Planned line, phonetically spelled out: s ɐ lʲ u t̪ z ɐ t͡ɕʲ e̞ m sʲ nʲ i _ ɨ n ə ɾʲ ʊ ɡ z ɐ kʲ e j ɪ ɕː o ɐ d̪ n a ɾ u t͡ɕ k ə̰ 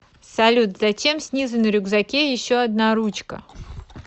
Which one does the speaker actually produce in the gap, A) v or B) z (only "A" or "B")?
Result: B